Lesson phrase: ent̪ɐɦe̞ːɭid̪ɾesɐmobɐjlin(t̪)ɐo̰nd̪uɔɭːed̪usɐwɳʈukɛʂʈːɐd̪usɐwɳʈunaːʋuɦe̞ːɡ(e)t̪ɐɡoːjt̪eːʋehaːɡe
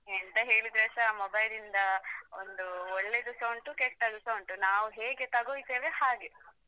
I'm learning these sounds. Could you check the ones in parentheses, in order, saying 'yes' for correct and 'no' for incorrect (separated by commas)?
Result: no, yes